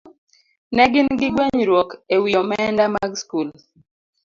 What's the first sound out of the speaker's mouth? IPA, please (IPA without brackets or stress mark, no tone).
n